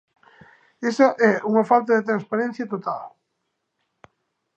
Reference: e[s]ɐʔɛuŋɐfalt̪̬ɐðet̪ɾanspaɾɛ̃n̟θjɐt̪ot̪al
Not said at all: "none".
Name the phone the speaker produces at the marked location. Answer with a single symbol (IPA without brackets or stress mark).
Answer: s